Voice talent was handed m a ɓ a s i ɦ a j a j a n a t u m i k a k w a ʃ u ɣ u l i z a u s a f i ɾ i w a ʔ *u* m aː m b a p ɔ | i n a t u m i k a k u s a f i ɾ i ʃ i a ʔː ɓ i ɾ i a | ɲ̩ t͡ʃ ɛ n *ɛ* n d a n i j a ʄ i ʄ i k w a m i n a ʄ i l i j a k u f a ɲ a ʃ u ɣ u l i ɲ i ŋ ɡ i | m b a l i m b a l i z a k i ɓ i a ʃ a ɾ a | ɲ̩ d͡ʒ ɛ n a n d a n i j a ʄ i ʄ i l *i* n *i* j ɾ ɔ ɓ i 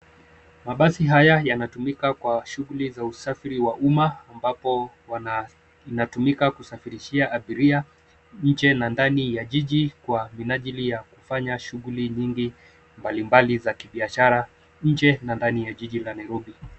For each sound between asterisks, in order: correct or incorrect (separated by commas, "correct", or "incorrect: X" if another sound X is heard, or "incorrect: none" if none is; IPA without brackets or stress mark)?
correct, incorrect: a, incorrect: a, incorrect: a